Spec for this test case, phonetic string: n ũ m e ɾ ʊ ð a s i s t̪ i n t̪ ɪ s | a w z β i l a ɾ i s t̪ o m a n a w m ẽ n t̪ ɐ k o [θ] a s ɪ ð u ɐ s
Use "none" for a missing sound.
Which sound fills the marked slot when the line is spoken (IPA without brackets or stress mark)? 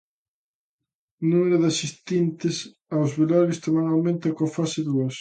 f